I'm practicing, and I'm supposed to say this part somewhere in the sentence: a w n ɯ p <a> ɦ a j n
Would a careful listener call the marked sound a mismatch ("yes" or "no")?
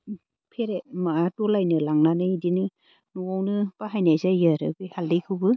no